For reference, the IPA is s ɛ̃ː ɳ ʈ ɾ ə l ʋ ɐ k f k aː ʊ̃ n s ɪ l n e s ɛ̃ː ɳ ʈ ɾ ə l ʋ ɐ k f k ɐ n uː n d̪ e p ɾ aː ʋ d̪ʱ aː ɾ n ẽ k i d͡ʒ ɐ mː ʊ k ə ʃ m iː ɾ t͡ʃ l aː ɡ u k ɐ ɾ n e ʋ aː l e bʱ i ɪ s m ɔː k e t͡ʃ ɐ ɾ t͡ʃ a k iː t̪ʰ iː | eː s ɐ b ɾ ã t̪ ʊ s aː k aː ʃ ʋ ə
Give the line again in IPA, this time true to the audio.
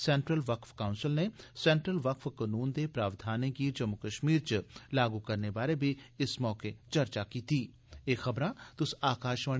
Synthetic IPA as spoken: s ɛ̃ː ɳ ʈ ɾ ə l ʋ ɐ k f k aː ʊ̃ n s ɪ l n e s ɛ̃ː ɳ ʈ ɾ ə l ʋ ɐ k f k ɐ n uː n d̪ e p ɾ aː ʋ d̪ʱ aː n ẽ k i d͡ʒ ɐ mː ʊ k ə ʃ m iː ɾ t͡ʃ l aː ɡ u k ɐ ɾ n e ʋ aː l e bʱ i ɪ s m ɔː k e t͡ʃ ɐ ɾ t͡ʃ a k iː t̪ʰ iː | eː x ɐ b ɾ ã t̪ ʊ s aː k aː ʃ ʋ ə